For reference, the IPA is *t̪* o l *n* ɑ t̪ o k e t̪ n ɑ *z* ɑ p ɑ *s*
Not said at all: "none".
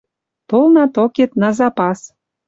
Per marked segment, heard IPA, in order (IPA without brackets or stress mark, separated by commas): t̪, n, z, s